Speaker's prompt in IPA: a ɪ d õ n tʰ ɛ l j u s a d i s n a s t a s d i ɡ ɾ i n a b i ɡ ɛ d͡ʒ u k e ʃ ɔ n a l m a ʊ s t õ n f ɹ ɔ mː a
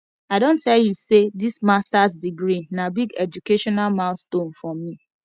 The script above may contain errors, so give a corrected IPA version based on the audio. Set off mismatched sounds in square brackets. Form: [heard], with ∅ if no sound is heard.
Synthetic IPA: a ɪ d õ n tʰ ɛ l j u s [e] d i s [m] a s t a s d i ɡ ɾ i n a b i ɡ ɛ d͡ʒ u k e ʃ ɔ n a l m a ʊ s t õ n f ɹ ɔ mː [i]